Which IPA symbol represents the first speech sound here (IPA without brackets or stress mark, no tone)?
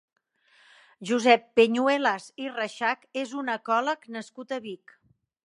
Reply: ʒ